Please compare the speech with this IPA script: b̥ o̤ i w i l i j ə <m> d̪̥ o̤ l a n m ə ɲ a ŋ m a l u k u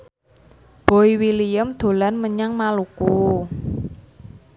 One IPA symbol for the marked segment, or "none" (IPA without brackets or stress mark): m